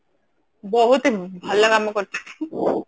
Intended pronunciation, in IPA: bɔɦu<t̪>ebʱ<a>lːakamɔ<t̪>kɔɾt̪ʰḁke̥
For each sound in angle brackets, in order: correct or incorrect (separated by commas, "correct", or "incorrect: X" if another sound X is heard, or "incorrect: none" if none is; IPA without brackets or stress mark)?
correct, correct, incorrect: none